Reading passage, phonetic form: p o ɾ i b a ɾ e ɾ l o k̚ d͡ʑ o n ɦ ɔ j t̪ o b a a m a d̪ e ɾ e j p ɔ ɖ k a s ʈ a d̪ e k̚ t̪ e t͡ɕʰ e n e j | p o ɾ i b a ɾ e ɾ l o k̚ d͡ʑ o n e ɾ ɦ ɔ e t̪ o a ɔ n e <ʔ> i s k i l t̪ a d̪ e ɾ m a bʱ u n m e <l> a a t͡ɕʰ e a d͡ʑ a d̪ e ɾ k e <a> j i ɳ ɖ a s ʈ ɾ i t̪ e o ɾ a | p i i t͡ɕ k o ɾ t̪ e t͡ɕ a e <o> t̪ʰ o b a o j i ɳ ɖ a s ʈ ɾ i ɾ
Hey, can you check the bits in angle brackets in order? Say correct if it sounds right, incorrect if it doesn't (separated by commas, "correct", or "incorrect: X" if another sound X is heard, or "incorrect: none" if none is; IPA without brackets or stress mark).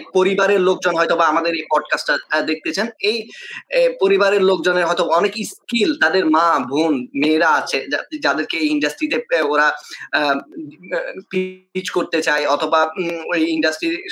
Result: incorrect: k, incorrect: ɾ, incorrect: e, incorrect: ɔ